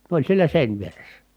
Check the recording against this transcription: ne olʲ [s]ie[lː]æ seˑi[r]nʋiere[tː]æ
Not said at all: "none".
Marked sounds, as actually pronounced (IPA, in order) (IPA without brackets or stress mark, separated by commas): s, l, none, sː